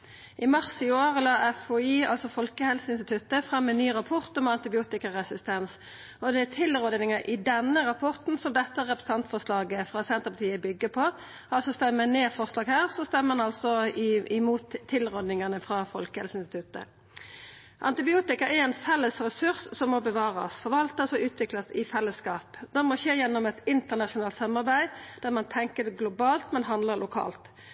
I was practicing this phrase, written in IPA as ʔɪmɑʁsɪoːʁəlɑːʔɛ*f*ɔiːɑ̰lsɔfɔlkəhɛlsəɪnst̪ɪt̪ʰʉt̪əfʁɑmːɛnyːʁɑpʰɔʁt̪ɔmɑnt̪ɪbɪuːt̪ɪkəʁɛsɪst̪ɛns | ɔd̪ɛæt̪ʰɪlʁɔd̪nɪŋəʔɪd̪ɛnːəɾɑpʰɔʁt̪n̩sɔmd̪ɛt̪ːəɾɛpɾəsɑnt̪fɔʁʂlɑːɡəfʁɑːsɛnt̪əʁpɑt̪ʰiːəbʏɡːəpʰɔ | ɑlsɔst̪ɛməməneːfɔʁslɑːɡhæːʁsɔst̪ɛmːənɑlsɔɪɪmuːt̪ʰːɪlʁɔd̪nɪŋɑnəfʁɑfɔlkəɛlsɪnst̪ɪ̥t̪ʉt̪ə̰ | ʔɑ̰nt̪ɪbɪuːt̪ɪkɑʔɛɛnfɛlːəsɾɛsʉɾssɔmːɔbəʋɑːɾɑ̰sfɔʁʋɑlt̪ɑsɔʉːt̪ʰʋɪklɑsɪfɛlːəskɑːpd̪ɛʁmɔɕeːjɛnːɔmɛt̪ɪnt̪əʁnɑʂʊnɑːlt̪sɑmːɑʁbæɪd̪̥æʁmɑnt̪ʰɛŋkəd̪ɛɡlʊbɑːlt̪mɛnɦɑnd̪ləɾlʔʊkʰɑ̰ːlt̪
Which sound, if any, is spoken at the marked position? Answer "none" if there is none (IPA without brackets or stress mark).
f